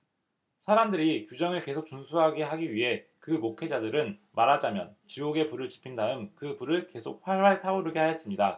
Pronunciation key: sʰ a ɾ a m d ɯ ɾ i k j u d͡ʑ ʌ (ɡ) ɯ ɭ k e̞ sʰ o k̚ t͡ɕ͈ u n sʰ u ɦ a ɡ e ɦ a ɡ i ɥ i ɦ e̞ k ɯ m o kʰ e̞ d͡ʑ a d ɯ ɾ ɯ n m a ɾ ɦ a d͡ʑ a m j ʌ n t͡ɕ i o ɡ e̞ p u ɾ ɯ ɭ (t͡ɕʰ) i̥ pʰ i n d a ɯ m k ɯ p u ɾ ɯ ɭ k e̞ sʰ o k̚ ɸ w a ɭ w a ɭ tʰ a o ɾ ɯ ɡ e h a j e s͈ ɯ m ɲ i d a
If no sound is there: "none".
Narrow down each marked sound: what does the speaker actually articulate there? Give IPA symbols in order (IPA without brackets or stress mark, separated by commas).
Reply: ŋ, t͡ɕ